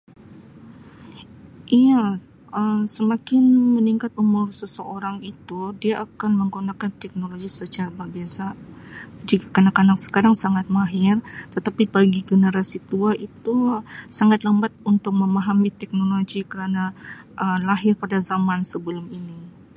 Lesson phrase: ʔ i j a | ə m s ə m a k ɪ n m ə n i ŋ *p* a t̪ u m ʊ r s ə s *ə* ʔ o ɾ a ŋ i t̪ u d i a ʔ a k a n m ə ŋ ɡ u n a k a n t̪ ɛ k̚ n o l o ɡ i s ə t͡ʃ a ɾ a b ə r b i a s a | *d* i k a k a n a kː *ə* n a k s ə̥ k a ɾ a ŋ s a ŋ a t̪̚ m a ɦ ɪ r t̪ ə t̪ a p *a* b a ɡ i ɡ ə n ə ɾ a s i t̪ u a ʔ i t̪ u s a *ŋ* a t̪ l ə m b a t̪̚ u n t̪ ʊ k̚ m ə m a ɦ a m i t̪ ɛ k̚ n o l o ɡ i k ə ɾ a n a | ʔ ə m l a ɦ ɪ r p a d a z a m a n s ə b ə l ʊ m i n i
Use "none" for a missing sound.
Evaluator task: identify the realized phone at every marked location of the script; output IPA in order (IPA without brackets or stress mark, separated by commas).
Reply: k, ə, d͡ʒ, a, i, ŋ